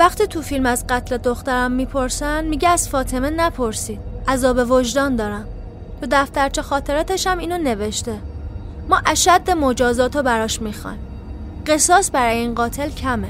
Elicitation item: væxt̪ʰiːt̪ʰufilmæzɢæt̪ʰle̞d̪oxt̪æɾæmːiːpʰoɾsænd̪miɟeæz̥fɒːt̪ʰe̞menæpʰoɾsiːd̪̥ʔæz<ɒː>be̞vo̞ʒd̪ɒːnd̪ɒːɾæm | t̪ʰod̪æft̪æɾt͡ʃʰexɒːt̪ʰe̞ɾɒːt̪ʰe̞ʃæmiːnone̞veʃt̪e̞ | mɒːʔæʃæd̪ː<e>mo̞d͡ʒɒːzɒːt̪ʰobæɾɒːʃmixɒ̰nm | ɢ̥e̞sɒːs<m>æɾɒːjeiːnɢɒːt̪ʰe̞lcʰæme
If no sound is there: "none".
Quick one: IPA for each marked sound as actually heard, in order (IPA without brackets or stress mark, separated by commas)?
ɒː, e, b